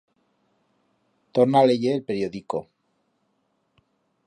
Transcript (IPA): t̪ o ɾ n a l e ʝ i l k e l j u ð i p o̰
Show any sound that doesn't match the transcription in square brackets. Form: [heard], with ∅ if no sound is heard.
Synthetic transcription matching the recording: t̪ o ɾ n a l e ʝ [e] l [p] e [ɾ] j [o] ð i [k] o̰